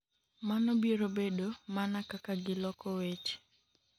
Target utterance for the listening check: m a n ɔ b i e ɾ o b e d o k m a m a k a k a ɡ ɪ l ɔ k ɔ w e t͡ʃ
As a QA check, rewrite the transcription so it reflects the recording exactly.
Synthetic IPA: m a n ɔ b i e ɾ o b e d o m a n a k a k a ɡ ɪ l ɔ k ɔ w e t͡ʃ

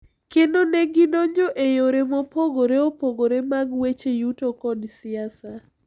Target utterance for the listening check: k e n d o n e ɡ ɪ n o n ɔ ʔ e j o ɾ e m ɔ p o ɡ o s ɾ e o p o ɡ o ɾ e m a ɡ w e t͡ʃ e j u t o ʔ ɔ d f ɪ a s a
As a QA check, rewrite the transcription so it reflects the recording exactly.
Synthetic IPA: k e n d o n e ɡ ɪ n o ɲ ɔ ʔ e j o ɾ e m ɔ p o ɡ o ɾ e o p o ɡ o ɾ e m a ɡ w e t͡ʃ e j u t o k ɔ d s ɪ a s a

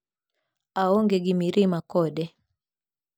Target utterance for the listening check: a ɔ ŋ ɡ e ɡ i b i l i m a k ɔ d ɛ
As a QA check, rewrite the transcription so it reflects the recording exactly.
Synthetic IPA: a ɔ ŋ ɡ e ɡ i m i ɾ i m a k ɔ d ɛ

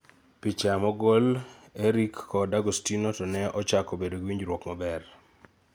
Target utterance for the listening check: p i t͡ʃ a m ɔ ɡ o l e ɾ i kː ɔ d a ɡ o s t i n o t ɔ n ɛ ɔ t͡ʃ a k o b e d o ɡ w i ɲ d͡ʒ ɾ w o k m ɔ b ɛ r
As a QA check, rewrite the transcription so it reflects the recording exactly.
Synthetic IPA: p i t͡ʃ a m ɔ ɡ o l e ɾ i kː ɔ d a ɡ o s t i n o t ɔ n ɛ ɔ t͡ʃ a k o b e d o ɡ w i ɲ d͡ʒ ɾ w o k m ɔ b ɛ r

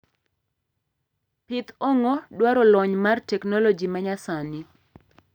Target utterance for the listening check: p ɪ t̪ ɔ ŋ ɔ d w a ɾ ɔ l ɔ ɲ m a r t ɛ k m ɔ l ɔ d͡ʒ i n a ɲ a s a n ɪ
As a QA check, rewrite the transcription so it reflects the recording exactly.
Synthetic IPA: p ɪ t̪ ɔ ŋ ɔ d w a ɾ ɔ l ɔ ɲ m a r t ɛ k n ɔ l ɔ d͡ʒ i m a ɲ a s a n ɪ

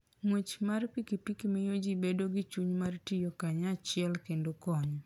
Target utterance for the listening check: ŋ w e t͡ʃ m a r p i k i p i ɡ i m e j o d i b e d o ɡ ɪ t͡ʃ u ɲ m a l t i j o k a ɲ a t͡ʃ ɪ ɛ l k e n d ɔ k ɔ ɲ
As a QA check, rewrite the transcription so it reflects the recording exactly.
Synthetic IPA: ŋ w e t͡ʃ m a r p i k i p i k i m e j o d͡ʒ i b e d o ɡ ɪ t͡ʃ u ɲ m a r t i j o k a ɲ a t͡ʃ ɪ ɛ l k e n d o k ɔ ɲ

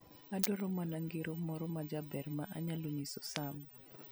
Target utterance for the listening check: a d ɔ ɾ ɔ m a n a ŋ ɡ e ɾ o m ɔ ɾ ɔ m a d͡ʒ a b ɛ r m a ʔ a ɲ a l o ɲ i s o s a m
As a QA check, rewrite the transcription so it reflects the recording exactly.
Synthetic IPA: a d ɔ ɾ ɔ m a n a ŋ ɡ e ɾ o m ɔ ɾ ɔ m a d͡ʒ a b ɛ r m a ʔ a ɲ a l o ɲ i s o s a m

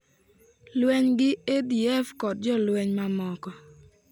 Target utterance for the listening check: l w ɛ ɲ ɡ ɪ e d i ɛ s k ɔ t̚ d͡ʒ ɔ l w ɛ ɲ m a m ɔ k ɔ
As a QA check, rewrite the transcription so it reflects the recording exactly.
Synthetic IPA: l w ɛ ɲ ɡ ɪ e d i ɛ f k ɔ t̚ d͡ʒ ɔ l w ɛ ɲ m a m ɔ k ɔ

